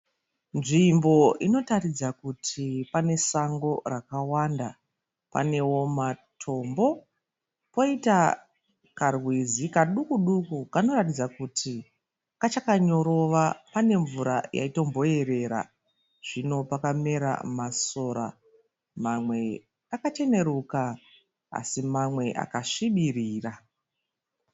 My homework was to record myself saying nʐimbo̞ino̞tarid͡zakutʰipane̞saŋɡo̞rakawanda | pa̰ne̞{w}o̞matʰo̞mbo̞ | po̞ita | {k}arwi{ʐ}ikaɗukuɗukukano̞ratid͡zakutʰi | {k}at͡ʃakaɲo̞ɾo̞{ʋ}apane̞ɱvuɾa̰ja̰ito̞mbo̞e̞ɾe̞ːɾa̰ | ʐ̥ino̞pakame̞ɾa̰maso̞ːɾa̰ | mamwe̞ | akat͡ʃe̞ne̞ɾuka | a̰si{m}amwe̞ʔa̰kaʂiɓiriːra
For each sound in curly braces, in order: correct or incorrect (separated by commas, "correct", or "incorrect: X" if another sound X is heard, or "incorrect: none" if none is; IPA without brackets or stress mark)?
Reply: correct, correct, incorrect: z, correct, correct, correct